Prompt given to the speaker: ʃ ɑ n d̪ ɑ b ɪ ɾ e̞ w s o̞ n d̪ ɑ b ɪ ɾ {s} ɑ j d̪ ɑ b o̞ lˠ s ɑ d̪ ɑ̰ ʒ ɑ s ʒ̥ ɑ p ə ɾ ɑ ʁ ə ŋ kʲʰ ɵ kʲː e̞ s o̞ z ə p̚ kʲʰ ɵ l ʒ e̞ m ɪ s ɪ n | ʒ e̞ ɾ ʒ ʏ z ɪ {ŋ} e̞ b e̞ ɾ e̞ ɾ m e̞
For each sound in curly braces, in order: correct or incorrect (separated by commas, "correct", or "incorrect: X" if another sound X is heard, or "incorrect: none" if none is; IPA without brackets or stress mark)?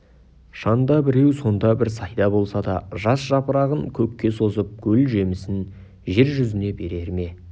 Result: correct, incorrect: n